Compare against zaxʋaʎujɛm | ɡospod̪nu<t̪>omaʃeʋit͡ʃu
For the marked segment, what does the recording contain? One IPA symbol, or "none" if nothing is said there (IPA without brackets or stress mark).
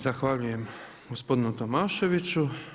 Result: t̪